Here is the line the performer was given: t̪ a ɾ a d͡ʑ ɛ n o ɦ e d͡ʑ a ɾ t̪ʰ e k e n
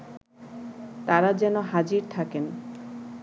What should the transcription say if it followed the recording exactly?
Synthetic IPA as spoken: t̪ a ɾ a d͡ʑ ɛ n o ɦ a d͡ʑ i ɾ t̪ʰ a k e n